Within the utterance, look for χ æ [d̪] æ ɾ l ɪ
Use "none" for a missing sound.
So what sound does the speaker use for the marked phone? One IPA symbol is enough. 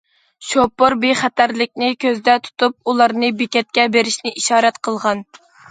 t̪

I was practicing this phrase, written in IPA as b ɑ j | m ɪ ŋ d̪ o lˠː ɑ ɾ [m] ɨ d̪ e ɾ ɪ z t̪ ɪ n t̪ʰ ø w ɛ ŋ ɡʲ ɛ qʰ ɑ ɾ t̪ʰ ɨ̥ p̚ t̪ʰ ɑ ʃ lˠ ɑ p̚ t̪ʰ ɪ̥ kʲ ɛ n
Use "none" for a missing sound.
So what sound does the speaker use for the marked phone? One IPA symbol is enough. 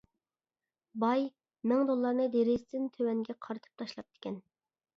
n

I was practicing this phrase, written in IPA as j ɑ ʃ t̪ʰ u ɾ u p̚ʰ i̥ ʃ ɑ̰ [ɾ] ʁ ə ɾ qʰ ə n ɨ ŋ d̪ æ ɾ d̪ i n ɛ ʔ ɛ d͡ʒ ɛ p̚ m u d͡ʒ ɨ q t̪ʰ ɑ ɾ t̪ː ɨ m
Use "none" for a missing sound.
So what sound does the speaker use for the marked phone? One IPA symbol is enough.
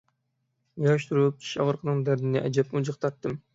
none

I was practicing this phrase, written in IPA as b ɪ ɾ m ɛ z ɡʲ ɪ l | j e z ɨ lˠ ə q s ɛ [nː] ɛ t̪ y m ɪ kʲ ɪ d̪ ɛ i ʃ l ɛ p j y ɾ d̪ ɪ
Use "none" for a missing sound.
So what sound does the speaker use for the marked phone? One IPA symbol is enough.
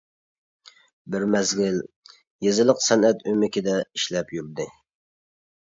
n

